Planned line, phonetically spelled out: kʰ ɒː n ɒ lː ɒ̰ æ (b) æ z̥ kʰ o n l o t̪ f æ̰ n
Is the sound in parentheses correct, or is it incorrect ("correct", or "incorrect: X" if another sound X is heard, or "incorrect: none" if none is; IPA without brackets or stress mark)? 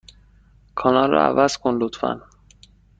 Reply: incorrect: v